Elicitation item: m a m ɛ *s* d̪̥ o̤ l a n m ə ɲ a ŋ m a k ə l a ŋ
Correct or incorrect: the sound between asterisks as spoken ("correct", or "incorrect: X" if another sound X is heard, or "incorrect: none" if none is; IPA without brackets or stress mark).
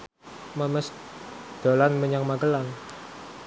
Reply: correct